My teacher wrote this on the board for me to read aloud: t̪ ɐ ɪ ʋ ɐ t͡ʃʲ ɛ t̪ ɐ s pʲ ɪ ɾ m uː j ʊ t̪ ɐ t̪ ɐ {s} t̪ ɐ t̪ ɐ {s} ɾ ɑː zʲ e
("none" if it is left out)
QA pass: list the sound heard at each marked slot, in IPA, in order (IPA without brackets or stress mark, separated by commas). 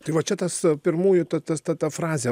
s, f